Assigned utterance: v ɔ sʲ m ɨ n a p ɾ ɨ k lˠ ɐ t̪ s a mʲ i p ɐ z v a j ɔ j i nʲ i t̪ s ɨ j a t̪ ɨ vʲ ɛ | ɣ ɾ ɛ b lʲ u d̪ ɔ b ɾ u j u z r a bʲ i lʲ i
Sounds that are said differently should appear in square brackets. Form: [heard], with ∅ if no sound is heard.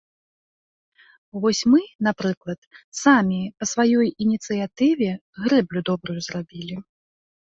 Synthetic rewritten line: v ɔ sʲ m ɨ n a p ɾ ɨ k lˠ ɐ t̪ s a mʲ i p ɐ [s] v a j ɔ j i nʲ i t̪ s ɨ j a t̪ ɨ vʲ ɛ | ɣ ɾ ɛ b lʲ u d̪ ɔ b ɾ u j u z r a bʲ i lʲ i